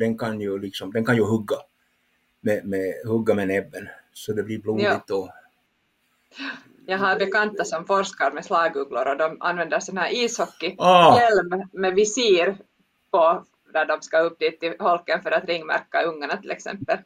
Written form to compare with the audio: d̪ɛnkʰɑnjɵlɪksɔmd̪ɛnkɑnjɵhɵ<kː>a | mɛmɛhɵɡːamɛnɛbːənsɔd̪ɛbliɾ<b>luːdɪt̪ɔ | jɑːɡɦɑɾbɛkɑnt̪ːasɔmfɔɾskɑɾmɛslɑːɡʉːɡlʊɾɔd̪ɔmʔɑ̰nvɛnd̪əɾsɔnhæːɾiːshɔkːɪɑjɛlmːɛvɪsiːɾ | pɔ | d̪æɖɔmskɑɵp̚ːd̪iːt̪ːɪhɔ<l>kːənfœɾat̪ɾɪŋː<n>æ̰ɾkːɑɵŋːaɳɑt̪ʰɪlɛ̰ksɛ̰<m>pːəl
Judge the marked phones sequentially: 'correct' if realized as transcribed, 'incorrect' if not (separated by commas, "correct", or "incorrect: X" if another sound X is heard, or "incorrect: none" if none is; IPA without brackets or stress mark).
incorrect: ɡː, correct, correct, incorrect: m, correct